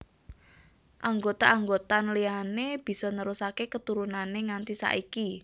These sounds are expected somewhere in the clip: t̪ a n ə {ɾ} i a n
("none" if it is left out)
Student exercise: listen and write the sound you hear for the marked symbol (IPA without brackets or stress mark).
l